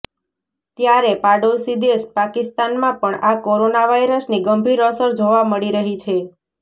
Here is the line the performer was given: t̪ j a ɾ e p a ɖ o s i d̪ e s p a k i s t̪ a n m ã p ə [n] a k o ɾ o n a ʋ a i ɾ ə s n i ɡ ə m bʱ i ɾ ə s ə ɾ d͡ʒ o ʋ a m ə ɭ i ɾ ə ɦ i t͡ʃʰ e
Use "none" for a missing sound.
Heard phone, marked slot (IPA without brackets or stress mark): ɳ